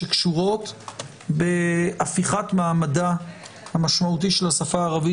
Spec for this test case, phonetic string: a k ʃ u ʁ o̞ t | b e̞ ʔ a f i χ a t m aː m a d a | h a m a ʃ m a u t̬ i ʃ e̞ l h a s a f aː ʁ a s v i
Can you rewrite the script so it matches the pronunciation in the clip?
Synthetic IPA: e k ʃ u ʁ o̞ t | b e̞ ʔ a f i χ a t m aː m a d a | h a m a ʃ m a u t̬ i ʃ e̞ l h a s a f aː ʁ a v i